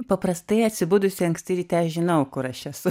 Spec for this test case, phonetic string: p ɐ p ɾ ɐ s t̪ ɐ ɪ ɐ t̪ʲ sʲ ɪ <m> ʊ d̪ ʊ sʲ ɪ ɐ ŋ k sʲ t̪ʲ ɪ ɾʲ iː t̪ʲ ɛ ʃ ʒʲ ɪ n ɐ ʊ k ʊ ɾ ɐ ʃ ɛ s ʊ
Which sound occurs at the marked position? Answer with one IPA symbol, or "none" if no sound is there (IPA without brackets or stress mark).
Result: b